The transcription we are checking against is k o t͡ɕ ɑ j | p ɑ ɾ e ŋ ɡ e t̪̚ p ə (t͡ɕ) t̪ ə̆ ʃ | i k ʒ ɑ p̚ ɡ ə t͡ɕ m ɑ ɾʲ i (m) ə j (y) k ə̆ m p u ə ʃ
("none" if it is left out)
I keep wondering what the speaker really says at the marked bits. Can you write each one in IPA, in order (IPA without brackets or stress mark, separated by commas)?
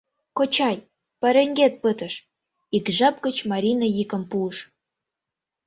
none, n, i